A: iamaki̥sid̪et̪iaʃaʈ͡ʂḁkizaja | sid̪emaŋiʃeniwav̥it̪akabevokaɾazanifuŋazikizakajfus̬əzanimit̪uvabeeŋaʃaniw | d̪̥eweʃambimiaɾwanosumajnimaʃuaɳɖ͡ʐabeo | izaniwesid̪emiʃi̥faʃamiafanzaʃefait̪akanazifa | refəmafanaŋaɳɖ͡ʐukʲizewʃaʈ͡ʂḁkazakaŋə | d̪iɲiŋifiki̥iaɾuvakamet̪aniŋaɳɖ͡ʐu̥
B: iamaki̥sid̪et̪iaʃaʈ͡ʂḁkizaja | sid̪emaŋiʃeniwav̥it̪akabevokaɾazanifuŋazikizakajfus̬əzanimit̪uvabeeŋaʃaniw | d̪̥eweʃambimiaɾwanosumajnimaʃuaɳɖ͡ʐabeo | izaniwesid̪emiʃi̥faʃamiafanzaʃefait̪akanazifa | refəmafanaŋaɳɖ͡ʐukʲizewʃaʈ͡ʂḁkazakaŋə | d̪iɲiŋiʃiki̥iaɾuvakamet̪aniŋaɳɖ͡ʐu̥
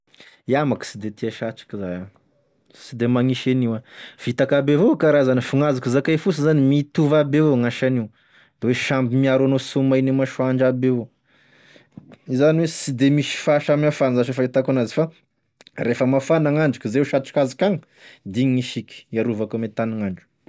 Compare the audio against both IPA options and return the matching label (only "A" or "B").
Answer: B